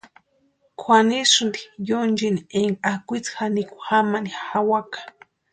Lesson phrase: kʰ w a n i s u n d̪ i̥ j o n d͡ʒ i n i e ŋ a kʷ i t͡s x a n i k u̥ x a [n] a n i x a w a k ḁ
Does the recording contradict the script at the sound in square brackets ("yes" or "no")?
yes